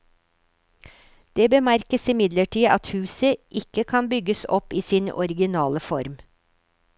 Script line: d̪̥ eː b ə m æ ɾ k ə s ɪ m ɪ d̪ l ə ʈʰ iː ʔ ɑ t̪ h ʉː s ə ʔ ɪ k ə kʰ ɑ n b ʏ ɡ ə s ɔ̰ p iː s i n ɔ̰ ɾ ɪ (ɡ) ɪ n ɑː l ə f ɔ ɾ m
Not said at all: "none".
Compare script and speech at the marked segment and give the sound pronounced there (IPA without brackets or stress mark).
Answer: ɡ